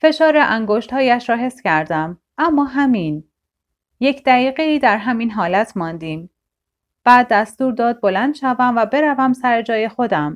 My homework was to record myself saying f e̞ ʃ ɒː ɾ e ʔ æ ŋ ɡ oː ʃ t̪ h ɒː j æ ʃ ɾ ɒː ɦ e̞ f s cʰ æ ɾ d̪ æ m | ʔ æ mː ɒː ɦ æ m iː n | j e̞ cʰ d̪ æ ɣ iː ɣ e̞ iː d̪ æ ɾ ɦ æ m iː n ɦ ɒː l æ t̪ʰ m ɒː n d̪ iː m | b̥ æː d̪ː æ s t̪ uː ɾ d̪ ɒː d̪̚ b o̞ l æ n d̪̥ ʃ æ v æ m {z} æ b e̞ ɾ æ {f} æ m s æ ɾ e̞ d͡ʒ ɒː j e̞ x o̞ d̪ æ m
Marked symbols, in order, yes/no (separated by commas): no, no